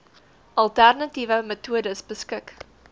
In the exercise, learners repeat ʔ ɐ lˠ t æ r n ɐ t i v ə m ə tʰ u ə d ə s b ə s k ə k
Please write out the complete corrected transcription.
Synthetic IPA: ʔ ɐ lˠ t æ r n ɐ t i v ə m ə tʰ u ə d ə s b ə s k ə k